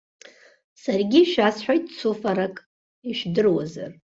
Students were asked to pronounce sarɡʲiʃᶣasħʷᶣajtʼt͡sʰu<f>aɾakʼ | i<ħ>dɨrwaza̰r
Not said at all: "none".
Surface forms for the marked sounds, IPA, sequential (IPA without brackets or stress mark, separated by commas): f, ʃ